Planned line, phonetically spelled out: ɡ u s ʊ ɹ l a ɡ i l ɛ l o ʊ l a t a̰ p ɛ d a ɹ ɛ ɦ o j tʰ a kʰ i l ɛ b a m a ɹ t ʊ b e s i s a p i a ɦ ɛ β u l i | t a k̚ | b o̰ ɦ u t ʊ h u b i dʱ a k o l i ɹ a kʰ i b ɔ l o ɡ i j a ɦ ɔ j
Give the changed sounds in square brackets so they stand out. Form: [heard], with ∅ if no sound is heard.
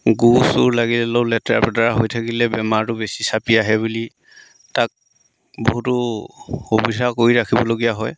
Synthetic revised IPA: ɡ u s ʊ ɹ l a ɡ i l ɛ l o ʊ l [ɛ] t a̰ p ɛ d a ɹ [a] ɦ o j tʰ a [k] i l ɛ b [ɛ] m a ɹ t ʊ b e s i s a p i a ɦ ɛ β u l i | t a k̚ | b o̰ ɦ u t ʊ h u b i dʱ a k o [ɹ] i ɹ a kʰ i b ɔ l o ɡ i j a ɦ ɔ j